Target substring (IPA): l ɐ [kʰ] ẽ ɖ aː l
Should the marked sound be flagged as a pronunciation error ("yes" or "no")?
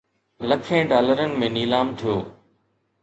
no